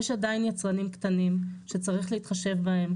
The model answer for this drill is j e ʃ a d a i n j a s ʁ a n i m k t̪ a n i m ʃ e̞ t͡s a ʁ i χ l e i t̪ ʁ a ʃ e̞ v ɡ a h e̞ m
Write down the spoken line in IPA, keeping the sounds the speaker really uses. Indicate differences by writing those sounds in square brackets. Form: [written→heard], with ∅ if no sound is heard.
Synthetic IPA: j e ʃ a d a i n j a [s→t͡s] ʁ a n i m k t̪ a n i m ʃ e̞ t͡s a ʁ i χ l e i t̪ [ʁ→χ] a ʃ e̞ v [ɡ→b] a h e̞ m